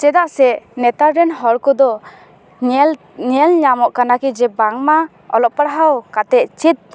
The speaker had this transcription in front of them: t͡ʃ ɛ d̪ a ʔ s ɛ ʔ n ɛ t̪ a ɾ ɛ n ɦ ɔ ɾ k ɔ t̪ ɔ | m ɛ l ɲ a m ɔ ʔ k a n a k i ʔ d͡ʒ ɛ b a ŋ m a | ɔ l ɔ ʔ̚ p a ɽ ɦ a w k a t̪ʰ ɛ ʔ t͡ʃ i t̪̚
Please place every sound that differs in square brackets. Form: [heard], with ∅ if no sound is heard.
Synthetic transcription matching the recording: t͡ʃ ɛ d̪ a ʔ s ɛ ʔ n ɛ t̪ a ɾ ɛ n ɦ ɔ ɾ k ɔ [d̪] ɔ | [ɲ] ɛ l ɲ a m ɔ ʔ k a n a k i [∅] d͡ʒ ɛ b a ŋ m a | ɔ l ɔ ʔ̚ p a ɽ ɦ a w k a [t̪] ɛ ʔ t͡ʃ i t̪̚